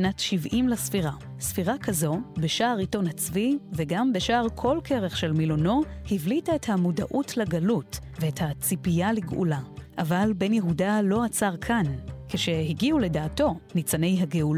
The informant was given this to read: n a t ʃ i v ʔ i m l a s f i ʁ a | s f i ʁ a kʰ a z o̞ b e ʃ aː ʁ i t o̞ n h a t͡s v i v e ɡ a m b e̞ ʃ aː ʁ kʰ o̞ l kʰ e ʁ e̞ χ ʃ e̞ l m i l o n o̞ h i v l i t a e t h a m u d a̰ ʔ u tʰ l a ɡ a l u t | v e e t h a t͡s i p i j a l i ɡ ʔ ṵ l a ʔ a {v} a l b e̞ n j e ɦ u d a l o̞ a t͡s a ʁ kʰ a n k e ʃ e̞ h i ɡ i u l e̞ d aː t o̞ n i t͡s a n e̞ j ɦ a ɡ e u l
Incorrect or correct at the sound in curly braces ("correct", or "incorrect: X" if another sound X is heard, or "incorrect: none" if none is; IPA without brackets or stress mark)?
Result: correct